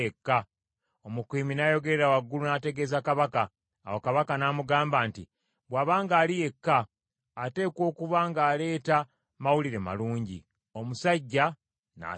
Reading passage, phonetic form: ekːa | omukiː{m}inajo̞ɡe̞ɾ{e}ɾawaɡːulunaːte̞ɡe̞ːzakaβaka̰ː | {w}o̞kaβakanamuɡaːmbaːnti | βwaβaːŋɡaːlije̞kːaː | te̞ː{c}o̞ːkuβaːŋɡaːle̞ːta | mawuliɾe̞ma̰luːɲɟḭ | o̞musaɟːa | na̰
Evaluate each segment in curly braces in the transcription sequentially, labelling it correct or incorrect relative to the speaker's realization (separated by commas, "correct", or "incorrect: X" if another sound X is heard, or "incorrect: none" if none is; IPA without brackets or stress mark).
correct, correct, correct, incorrect: k